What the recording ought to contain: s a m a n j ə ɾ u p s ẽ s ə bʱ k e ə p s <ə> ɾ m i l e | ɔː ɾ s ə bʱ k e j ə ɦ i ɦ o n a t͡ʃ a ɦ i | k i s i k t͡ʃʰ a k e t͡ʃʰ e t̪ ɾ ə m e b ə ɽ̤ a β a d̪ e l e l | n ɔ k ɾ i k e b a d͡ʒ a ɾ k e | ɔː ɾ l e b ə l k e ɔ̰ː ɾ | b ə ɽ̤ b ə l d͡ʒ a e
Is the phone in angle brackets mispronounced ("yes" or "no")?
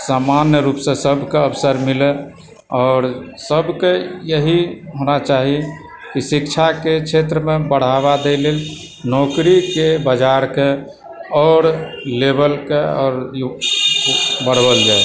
no